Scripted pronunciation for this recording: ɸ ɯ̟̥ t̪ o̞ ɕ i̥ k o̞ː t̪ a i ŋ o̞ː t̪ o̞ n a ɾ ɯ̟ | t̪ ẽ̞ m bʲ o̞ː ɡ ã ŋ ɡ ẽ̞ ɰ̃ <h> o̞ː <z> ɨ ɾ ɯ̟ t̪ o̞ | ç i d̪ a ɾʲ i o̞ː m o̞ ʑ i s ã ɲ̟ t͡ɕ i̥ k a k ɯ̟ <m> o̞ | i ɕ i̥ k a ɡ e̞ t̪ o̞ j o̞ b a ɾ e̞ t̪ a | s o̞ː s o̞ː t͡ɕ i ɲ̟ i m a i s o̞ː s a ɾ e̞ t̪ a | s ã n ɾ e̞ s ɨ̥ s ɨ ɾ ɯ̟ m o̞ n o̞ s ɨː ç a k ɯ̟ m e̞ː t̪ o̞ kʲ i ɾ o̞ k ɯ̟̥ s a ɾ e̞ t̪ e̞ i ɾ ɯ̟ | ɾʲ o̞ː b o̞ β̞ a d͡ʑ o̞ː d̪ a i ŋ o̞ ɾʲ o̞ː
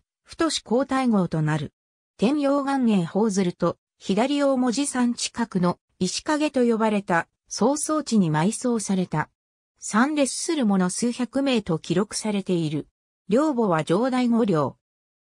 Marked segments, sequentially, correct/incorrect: correct, correct, incorrect: n

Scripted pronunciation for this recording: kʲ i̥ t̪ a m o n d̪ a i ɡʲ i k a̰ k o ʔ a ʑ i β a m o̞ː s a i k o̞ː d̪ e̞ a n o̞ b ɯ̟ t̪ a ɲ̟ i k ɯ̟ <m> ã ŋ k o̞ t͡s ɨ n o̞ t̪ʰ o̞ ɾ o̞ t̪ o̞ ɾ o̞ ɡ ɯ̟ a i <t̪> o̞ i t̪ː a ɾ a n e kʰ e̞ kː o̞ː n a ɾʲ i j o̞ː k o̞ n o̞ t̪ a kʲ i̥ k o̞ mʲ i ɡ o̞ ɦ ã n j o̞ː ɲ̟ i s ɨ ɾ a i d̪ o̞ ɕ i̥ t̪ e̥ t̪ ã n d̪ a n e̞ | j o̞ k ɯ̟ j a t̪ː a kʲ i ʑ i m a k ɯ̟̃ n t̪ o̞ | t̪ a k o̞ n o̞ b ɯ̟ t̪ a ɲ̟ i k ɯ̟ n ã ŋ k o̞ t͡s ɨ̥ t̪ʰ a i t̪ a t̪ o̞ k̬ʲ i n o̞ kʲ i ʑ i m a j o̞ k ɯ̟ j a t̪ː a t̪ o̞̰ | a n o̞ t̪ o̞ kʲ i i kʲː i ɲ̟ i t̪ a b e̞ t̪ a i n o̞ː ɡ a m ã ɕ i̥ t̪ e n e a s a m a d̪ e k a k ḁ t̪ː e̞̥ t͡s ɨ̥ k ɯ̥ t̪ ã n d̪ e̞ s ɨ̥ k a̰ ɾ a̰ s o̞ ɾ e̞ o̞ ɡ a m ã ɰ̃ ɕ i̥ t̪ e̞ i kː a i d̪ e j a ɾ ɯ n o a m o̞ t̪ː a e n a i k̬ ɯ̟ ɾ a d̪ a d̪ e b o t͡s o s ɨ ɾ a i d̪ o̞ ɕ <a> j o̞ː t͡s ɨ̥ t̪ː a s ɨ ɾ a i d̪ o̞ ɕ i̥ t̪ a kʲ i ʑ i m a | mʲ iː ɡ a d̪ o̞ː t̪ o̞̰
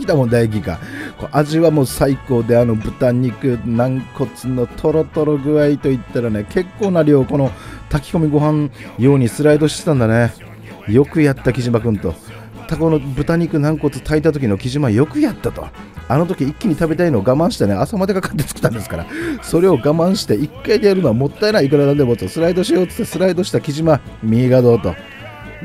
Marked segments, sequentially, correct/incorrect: incorrect: n, correct, incorrect: i

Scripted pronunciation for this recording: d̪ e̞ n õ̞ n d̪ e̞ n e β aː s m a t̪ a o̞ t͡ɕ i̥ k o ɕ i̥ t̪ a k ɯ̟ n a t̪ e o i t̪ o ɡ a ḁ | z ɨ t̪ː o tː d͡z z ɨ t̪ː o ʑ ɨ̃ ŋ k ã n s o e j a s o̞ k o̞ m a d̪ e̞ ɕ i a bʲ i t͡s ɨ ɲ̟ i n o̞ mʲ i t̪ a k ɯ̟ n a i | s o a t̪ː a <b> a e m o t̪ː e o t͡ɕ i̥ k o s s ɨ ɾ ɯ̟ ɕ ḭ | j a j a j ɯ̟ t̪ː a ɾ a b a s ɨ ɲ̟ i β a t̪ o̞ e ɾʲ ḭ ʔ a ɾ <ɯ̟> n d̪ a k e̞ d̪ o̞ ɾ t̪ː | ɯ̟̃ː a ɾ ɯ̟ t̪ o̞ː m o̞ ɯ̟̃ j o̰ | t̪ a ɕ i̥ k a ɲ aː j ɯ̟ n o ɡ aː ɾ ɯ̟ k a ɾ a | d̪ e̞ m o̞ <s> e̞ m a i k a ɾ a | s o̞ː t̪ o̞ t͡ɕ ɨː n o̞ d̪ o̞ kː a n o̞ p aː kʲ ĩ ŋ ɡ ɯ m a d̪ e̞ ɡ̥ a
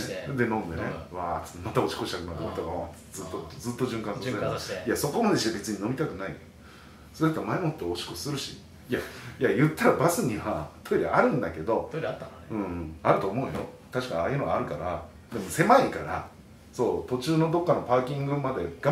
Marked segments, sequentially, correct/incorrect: incorrect: m, incorrect: ɯ̟̃, correct

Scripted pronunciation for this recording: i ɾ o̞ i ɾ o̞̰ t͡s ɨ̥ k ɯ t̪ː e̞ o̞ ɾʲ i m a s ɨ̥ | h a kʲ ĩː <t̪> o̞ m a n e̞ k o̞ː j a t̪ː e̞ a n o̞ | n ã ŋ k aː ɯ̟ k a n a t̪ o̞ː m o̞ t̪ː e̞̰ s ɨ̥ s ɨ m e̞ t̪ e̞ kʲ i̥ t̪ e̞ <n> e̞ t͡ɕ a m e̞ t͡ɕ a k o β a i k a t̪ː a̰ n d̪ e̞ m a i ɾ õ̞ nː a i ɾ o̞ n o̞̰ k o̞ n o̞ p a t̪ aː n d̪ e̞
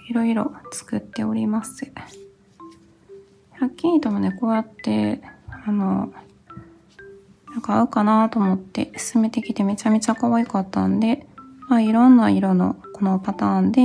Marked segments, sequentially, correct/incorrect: correct, incorrect: m

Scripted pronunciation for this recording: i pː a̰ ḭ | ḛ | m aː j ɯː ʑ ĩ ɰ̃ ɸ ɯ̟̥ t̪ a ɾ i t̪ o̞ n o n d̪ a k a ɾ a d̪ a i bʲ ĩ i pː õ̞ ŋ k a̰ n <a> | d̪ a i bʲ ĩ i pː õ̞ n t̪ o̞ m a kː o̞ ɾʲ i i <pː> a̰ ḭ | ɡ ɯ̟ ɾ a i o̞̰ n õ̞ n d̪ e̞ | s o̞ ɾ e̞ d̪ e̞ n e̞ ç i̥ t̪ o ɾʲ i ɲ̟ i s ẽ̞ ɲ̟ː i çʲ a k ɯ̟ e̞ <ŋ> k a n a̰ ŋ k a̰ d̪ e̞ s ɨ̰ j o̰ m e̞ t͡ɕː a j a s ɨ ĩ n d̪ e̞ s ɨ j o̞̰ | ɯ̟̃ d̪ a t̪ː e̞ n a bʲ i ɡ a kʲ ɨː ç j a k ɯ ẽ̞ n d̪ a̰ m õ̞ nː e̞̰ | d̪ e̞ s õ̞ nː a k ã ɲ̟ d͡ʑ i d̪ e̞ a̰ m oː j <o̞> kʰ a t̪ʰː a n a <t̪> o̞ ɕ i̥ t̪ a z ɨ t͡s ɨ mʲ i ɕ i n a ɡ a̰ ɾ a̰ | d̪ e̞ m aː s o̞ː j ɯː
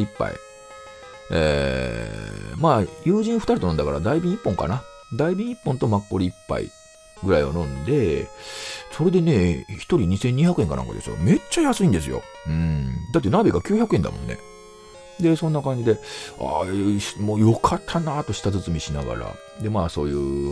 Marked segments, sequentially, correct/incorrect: correct, correct, correct, correct, correct

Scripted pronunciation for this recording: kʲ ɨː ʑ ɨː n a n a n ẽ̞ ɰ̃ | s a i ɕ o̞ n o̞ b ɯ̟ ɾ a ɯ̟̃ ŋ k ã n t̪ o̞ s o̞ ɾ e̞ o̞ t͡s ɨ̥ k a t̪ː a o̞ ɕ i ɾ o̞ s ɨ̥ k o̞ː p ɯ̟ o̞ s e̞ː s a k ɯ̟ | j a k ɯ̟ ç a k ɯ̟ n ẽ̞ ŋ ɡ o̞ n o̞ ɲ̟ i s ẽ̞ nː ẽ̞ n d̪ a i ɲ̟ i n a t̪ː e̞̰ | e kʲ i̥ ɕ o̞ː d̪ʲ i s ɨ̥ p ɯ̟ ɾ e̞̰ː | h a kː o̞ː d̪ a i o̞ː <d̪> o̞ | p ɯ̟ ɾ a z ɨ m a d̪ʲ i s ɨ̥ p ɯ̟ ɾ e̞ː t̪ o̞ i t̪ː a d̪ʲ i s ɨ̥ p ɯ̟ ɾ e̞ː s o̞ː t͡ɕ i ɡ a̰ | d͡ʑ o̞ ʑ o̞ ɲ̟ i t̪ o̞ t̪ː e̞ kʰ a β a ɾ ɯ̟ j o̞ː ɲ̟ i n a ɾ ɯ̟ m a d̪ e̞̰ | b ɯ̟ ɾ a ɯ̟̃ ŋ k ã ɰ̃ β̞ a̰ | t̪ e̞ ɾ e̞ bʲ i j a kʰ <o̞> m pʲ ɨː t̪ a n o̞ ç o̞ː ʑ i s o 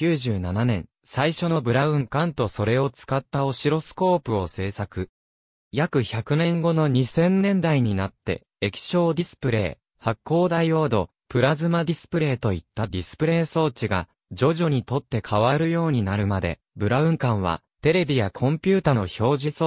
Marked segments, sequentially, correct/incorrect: correct, incorrect: õ̞

